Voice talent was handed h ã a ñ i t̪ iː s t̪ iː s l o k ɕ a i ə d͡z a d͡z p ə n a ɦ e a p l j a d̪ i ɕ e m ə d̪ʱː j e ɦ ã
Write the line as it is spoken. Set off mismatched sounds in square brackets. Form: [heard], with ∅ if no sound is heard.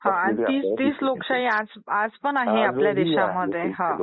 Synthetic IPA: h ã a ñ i t̪ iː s t̪ iː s l o k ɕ a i [a] d͡z a d͡z p ə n a ɦ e a p l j a d̪ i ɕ [a] m ə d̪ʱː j e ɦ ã